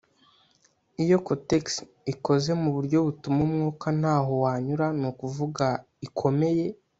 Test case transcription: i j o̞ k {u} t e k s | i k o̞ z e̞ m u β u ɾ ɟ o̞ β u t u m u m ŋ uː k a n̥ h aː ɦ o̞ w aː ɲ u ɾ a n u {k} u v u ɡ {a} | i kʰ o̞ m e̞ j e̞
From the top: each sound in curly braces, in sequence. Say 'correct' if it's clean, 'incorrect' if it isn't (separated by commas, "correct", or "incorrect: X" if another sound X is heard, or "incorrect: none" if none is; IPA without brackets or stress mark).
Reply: incorrect: o, correct, correct